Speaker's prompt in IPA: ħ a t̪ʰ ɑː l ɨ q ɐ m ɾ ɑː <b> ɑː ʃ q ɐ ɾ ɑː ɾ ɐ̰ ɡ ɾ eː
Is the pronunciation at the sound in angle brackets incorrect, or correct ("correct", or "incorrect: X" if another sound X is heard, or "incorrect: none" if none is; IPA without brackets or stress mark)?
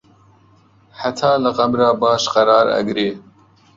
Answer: correct